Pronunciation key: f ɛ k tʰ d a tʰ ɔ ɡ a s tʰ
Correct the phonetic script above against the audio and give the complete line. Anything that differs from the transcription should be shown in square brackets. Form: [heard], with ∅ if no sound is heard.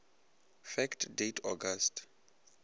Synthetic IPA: f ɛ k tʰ d [e] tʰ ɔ ɡ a s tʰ